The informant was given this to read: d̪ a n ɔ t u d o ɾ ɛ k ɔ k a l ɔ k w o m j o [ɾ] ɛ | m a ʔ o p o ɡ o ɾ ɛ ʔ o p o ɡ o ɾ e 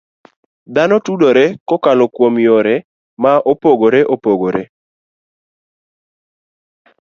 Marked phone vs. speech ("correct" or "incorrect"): correct